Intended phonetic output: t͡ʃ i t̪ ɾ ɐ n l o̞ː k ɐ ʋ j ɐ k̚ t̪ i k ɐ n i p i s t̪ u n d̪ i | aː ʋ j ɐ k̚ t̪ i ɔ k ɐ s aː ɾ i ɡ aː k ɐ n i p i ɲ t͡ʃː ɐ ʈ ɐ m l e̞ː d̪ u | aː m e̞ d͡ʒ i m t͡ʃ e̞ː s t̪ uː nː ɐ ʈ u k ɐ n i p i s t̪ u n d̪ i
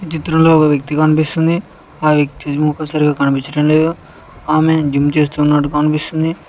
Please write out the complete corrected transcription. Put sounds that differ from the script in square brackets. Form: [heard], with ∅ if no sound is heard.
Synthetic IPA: t͡ʃ i t̪ ɾ ɐ [m] l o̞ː k ɐ ʋ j ɐ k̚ t̪ i k ɐ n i p i s t̪ u n d̪ i | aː ʋ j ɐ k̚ t̪ i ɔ k ɐ s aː ɾ i ɡ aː k ɐ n i p i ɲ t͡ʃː ɐ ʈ ɐ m l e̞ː d̪ u | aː m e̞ d͡ʒ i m t͡ʃ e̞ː s t̪ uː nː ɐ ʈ u k ɐ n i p i s t̪ u n d̪ i